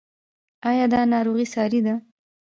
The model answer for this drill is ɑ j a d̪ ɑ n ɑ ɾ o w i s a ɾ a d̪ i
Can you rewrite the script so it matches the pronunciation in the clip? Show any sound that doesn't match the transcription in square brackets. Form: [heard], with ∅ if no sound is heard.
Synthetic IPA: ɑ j [ɑ] d̪ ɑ n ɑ ɾ o [ɣ] i s [ɑ] ɾ [i] d̪ [a]